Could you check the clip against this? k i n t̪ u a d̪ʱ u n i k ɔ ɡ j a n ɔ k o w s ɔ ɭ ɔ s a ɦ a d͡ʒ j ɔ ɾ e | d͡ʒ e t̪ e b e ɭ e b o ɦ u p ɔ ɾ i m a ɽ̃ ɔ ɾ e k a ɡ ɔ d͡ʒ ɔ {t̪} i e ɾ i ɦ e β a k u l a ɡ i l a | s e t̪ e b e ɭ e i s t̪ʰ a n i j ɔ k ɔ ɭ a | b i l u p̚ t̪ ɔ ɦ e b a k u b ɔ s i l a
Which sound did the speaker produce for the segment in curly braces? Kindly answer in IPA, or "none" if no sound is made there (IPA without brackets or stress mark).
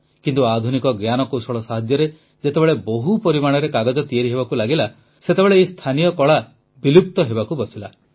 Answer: t̪